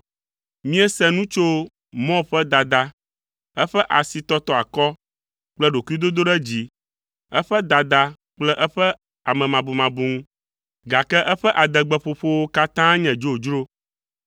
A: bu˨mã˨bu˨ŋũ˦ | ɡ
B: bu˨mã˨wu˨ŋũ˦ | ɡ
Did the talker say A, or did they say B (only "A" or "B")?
A